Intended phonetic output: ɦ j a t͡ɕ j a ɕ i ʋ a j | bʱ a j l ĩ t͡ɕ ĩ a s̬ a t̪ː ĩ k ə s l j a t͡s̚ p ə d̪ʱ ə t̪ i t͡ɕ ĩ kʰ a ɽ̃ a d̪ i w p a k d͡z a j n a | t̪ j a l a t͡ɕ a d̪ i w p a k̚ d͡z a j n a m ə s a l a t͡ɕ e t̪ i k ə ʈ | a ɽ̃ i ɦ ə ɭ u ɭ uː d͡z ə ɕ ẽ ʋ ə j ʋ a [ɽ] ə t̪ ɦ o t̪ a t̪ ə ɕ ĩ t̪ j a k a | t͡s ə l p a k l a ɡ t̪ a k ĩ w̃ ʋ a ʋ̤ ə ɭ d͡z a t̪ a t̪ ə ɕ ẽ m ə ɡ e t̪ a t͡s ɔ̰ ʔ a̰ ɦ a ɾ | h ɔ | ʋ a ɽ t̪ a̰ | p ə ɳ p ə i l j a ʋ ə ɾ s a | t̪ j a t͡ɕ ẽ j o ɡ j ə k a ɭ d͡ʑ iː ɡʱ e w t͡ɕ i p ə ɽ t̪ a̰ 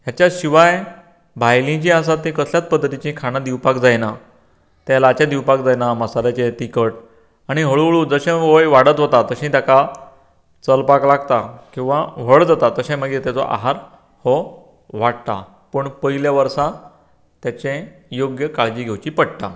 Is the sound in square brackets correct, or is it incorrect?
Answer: correct